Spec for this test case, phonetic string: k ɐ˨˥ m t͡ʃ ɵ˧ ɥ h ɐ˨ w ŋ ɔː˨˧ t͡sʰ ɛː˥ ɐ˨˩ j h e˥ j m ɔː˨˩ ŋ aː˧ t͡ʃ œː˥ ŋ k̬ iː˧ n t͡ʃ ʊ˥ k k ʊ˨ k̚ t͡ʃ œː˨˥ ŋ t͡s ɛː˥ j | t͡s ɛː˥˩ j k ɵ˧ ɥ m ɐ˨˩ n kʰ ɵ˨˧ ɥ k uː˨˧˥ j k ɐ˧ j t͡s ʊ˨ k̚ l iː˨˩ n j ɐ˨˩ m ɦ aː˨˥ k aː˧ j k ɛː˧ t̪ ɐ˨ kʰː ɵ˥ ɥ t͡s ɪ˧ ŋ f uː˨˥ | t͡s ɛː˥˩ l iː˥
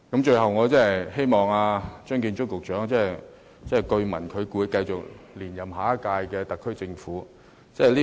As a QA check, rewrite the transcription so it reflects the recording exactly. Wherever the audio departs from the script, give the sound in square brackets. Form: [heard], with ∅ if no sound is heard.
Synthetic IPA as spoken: k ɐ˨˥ m t͡ʃ ɵ˧ ɥ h ɐ˨ w ŋ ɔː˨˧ [t͡s] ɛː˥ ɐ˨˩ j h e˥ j m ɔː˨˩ ŋ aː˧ t͡ʃ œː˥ ŋ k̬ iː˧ n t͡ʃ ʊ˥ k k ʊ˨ k̚ t͡ʃ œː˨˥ ŋ t͡s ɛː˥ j | t͡s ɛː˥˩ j k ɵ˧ ɥ m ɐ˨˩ n kʰ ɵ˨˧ ɥ k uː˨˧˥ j k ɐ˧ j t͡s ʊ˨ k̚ l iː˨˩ n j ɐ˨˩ m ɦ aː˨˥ k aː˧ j k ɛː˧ t̪ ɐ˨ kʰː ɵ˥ ɥ t͡s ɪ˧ ŋ f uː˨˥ | t͡s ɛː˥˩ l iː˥